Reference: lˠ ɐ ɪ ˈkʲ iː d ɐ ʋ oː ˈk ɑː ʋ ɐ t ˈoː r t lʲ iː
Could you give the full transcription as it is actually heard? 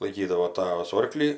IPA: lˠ ɐ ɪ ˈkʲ iː d ɐ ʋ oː ˈt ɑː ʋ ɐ s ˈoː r k lʲ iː

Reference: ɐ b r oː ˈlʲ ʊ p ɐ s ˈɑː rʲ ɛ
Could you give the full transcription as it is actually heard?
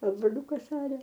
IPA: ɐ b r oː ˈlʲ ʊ k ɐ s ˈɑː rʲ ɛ

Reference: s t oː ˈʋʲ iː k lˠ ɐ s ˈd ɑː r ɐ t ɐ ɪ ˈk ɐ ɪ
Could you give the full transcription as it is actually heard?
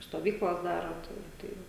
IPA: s t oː ˈʋʲ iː k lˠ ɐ s ˈd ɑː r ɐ t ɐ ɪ ˈt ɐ ɪ

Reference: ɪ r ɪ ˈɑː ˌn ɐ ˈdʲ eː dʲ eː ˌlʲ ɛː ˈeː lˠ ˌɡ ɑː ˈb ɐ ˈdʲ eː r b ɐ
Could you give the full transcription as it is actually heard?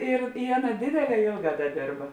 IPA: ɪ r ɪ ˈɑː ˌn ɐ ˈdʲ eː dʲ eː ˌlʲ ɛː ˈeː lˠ ˌɡ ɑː ˈd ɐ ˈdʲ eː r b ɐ

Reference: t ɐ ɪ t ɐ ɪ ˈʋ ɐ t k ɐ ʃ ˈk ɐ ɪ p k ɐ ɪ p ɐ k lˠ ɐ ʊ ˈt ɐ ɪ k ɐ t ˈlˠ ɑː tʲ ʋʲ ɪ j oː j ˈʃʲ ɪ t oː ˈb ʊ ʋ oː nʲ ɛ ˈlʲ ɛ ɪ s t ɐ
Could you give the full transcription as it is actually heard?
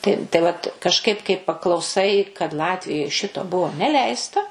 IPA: t ɐ ɪ t ɐ ɪ ˈʋ ɐ t k ɐ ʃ ˈk ɐ ɪ p k ɐ ɪ p ɐ k lˠ ɐ ʊ ˈs ɐ ɪ k ɐ t ˈlˠ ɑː tʲ ʋʲ ɪ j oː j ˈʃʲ ɪ t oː ˈb ʊ ʋ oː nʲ ɛ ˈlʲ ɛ ɪ s t ɐ

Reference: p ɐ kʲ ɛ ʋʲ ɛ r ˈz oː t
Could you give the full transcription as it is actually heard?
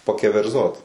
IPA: p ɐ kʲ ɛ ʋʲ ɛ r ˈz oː t

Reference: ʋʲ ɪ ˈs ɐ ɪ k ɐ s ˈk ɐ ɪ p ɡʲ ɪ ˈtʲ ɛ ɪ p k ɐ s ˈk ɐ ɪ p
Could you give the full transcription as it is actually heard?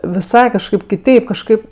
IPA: ʋʲ ɪ ˈs ɐ ɪ k ɐ ʃ ˈk ɐ ɪ p kʲ ɪ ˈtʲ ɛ ɪ p k ɐ ʃ ˈk ɐ ɪ p

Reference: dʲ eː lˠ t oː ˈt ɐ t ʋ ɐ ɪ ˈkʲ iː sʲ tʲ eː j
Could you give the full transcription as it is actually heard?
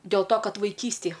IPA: dʲ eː lˠ t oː ˈk ɐ t ʋ ɐ ɪ ˈkʲ iː sʲ tʲ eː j

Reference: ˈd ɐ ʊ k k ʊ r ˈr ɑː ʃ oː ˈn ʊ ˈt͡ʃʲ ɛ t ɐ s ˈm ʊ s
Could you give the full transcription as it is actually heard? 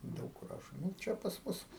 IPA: ˈd ɐ ʊ k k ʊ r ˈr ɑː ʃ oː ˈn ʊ ˈt͡ʃʲ ɛ p ɐ s ˈm ʊ s

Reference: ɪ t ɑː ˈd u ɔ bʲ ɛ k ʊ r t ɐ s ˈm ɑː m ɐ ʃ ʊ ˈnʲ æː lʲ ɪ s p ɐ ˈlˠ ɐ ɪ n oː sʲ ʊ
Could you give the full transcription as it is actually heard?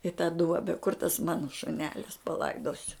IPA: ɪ t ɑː ˈd u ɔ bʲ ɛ k ʊ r t ɐ s ˈm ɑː n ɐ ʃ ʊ ˈnʲ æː lʲ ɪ s p ɐ ˈlˠ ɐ ɪ d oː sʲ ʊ

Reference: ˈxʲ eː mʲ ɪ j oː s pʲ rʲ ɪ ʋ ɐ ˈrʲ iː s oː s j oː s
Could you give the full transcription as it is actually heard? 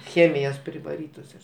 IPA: ˈxʲ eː mʲ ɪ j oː s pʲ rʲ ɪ ʋ ɐ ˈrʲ iː t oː s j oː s

